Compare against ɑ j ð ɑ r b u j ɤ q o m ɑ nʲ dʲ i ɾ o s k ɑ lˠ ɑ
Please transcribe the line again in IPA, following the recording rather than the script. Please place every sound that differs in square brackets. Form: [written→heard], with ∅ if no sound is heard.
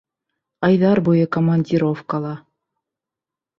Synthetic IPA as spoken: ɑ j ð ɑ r b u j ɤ [q→k] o m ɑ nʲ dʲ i ɾ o [s→f] k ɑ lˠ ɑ